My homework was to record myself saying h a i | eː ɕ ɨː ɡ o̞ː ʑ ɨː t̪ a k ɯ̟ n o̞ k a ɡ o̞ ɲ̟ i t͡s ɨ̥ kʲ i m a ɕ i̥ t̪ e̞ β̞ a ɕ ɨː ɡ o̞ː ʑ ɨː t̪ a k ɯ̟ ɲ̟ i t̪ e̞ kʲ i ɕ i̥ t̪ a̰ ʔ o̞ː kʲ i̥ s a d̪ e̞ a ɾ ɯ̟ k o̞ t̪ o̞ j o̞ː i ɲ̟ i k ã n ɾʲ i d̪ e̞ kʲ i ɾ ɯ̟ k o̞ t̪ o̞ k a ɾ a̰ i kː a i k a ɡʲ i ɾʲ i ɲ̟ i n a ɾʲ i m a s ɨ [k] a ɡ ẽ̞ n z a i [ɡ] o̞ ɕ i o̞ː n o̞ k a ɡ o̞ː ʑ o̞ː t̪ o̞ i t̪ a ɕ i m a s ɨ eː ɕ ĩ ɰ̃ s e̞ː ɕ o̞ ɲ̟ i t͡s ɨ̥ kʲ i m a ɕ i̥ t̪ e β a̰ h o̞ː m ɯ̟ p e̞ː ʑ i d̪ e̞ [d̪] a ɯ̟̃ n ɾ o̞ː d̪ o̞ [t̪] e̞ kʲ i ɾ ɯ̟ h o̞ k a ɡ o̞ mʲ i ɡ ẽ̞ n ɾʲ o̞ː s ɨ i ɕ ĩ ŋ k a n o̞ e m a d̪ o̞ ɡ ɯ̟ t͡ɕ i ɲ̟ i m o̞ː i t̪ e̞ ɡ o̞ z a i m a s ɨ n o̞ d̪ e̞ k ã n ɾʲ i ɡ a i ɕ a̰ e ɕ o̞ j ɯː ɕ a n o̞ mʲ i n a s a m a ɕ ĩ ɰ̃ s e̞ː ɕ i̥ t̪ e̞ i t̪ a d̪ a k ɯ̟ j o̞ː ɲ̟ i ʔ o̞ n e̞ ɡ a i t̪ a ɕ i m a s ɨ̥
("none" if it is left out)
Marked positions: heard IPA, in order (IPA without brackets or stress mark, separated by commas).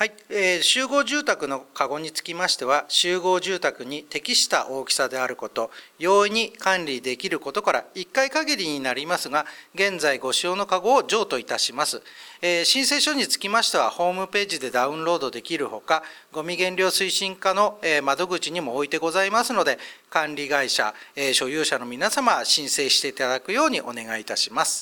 ɡ, ɡ, d̪, d̪